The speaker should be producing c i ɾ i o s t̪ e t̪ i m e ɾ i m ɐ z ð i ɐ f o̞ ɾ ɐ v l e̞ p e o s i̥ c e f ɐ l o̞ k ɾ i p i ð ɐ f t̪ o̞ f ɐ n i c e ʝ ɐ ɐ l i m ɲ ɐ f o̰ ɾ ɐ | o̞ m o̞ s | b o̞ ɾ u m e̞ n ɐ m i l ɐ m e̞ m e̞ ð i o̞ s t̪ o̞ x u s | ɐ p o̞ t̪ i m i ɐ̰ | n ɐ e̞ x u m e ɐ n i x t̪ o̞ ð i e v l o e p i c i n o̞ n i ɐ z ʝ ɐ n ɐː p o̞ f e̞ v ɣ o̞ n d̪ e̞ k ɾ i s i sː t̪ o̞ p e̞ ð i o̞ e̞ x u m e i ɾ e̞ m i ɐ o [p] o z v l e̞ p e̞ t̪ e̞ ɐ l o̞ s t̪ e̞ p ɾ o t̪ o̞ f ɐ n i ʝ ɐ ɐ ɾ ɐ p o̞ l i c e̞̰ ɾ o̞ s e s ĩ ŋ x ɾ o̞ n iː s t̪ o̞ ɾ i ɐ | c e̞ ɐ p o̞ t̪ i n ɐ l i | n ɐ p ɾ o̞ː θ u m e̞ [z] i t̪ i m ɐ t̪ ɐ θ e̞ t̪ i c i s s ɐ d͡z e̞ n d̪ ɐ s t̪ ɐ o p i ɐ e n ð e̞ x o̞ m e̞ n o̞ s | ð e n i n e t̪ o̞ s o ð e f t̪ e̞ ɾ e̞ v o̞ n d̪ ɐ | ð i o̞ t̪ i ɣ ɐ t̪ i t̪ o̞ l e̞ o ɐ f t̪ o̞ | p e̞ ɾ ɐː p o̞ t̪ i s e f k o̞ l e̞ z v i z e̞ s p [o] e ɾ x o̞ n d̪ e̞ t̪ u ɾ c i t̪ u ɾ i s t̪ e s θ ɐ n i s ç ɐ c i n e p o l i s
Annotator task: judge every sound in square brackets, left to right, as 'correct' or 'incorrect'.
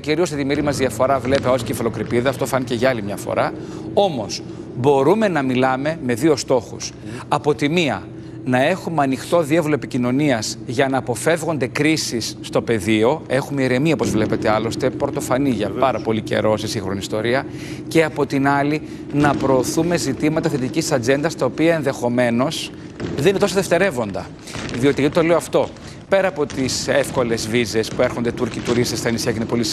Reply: correct, correct, incorrect: u

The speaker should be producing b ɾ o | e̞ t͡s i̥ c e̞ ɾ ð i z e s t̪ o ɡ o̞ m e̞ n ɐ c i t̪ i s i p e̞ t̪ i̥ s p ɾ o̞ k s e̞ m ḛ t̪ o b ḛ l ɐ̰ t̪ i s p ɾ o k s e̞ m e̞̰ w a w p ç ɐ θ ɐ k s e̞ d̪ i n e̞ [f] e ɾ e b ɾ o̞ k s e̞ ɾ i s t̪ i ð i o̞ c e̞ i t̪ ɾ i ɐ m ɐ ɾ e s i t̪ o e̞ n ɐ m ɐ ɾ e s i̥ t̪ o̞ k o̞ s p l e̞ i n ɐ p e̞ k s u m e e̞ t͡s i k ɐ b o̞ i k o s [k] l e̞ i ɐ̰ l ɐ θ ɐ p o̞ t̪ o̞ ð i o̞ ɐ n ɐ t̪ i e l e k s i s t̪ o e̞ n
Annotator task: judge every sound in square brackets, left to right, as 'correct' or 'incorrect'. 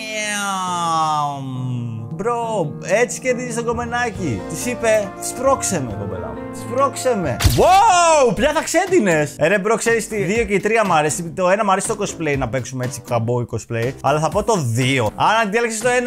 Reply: incorrect: s, incorrect: p

